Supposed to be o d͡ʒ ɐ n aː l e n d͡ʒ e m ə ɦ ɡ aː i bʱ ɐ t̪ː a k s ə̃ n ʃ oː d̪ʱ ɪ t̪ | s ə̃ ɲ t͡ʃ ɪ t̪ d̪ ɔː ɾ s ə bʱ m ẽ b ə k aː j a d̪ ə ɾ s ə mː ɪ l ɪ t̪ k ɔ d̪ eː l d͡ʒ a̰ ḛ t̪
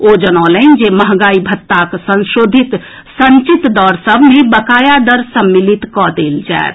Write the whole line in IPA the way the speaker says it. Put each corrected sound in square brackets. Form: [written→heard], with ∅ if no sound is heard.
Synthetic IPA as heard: o d͡ʒ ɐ n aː l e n d͡ʒ e m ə ɦ ɡ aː i bʱ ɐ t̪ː a k s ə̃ n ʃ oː d̪ʱ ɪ t̪ | s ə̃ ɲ t͡ʃ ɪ t̪ d̪ ɔː ɾ s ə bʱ m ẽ b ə k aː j a d̪ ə ɾ s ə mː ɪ l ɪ t̪ k ɔ d̪ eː l d͡ʒ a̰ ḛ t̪